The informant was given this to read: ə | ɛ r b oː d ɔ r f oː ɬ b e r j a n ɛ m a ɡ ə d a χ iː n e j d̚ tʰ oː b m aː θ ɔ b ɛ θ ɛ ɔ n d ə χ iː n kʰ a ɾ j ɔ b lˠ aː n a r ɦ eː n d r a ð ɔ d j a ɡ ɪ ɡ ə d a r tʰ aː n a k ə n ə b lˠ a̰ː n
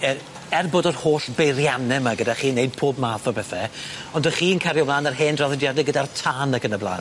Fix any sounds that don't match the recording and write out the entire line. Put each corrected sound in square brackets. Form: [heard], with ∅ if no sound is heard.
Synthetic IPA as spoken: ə | ɛ r b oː d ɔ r [h] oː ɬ b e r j a n ɛ m a ɡ ə d a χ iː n e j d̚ [pʰ] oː b m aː θ ɔ b ɛ θ ɛ ɔ n d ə χ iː n kʰ a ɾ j ɔ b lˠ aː n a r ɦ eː n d r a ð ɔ d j a [d] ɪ ɡ ə d a r tʰ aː n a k ə n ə b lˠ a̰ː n